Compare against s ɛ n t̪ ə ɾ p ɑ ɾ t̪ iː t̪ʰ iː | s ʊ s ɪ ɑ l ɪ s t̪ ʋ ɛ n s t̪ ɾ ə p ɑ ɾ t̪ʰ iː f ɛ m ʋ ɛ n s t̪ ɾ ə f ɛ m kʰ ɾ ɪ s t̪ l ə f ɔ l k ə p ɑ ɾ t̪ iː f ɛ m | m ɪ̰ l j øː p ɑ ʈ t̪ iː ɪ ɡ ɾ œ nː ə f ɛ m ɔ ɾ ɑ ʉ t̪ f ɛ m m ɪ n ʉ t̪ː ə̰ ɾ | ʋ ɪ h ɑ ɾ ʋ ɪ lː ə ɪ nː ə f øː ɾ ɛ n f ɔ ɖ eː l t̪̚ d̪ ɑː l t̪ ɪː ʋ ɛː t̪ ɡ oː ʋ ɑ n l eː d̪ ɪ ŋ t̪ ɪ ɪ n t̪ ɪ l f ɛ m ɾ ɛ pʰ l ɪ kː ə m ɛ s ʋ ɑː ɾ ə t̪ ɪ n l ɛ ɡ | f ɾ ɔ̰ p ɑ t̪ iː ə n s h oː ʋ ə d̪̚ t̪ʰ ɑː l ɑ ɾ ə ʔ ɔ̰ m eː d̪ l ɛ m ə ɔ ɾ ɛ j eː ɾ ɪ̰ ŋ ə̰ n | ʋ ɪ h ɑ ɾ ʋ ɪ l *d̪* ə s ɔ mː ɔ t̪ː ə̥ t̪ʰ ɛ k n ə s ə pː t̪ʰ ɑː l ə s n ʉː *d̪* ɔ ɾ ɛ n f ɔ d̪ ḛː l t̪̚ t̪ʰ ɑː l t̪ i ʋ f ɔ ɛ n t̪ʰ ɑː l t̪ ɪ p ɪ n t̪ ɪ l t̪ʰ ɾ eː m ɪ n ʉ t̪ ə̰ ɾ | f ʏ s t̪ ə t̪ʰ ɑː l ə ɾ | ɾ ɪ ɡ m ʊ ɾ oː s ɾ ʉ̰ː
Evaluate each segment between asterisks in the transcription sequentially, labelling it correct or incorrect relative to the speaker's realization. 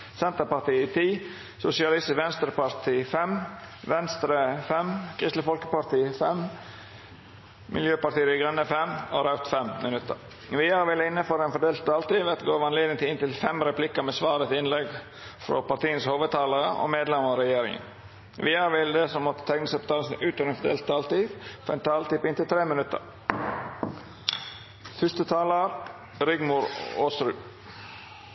correct, incorrect: t̪

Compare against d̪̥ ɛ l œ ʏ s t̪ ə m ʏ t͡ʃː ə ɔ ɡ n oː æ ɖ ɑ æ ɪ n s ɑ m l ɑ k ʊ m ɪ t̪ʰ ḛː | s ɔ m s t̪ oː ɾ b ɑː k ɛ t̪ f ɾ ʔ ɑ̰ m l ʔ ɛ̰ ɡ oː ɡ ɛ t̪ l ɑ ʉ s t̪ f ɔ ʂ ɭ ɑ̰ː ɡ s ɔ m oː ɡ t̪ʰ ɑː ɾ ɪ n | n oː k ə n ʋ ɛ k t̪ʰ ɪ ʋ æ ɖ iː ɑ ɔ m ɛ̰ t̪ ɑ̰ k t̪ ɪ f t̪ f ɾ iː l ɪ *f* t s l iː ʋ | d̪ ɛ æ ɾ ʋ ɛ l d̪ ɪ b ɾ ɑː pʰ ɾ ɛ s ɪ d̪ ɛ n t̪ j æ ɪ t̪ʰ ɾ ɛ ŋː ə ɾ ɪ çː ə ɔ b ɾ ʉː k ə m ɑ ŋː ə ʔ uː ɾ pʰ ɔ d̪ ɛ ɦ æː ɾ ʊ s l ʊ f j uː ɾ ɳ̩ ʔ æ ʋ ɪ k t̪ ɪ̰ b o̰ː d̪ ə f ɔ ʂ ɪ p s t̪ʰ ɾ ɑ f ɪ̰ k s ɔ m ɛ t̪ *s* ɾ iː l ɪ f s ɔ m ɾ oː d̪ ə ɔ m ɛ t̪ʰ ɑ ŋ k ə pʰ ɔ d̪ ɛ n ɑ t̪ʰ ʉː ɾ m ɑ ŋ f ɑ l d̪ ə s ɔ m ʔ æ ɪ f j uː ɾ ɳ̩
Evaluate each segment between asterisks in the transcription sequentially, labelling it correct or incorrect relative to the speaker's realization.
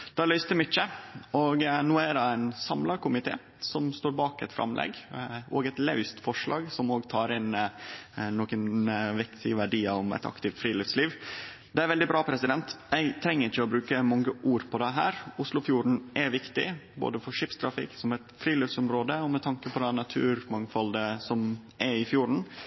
correct, incorrect: f

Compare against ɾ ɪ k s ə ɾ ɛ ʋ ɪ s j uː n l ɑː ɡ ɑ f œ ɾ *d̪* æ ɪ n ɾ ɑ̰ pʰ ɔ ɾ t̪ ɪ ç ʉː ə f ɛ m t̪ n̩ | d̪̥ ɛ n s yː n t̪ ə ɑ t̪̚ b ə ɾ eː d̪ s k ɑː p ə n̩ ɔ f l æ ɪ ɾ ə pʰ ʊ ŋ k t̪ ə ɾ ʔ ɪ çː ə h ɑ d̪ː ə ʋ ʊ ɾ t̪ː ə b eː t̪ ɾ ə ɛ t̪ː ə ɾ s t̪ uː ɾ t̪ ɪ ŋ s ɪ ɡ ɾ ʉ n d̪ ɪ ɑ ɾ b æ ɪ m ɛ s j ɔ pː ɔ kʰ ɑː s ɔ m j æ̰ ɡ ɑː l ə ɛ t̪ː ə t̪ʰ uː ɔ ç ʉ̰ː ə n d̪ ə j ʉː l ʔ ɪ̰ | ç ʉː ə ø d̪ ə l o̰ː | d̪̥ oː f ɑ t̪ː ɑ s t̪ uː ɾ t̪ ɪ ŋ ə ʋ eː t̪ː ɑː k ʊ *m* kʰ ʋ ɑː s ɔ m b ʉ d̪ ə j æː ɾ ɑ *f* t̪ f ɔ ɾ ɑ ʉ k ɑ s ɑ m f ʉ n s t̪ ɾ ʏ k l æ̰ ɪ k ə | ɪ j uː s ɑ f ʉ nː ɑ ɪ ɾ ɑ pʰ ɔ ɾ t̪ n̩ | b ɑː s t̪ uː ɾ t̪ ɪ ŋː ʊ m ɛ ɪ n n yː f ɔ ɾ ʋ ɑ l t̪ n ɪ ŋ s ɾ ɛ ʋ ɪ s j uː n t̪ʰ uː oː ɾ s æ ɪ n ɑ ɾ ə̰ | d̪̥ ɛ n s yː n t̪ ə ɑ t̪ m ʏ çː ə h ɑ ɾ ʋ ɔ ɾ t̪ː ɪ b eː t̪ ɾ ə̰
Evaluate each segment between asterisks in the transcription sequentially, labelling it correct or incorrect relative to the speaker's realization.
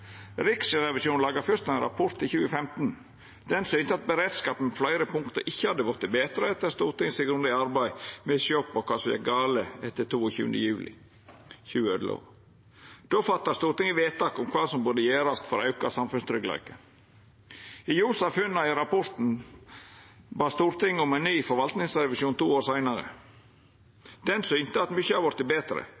incorrect: t̪, correct, incorrect: s

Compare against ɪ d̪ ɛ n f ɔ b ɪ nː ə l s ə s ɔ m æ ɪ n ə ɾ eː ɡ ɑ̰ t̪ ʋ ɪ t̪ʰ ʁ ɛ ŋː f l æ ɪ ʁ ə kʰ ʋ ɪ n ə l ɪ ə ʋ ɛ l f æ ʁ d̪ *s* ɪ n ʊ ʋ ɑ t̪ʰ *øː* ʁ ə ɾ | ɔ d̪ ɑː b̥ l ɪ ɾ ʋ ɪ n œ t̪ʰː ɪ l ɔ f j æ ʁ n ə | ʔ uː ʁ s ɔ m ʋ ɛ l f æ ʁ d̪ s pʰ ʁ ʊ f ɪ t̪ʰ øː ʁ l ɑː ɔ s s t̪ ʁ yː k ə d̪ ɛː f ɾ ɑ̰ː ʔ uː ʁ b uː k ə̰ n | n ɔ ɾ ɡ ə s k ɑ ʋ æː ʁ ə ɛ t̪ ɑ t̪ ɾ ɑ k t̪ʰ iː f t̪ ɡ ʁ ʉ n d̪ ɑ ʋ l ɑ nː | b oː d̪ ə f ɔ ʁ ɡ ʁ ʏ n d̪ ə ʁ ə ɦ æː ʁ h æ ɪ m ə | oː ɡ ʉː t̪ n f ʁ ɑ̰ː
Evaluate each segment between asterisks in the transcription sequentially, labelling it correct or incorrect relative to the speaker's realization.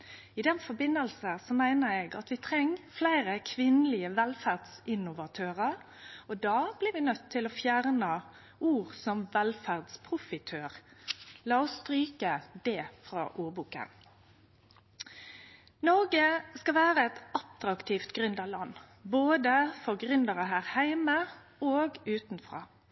correct, correct

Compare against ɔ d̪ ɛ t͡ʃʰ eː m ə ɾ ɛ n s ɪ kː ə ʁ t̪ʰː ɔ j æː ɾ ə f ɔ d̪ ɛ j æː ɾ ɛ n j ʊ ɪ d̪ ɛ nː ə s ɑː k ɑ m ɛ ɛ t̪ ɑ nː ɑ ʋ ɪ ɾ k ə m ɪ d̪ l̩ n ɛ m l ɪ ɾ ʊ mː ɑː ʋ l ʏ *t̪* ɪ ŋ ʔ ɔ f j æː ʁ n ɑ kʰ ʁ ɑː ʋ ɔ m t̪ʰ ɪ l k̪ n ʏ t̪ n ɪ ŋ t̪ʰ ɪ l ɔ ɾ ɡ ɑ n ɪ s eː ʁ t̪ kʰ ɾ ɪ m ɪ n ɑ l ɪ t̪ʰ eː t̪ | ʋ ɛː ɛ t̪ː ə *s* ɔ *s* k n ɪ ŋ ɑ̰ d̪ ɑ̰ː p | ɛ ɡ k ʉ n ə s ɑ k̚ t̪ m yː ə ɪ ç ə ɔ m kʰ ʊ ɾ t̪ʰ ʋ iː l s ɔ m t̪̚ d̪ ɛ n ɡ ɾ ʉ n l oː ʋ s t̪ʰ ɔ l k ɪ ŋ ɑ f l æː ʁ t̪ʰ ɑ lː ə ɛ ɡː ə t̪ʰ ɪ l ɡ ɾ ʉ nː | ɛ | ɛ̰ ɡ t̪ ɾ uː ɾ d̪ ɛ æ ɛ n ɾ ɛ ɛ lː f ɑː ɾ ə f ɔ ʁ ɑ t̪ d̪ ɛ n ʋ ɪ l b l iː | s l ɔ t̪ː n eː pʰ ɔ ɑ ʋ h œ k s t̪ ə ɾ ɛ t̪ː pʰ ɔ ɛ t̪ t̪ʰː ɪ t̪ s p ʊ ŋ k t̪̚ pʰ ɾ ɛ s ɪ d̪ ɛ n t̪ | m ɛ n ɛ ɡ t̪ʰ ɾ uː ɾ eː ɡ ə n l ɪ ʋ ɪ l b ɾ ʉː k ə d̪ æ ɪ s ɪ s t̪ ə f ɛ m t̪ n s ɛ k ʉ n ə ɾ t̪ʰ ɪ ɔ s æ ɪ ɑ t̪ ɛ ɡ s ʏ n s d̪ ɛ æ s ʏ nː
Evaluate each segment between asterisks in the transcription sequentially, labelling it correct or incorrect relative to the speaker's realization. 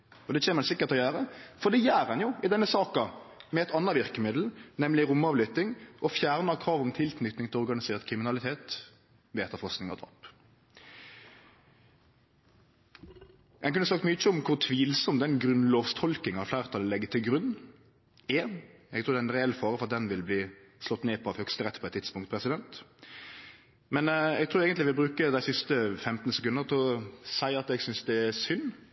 correct, incorrect: f, correct

